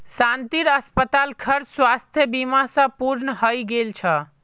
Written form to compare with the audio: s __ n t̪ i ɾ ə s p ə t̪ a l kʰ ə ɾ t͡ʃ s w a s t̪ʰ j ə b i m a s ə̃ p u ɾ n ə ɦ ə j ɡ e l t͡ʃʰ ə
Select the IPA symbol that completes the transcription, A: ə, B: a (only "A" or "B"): B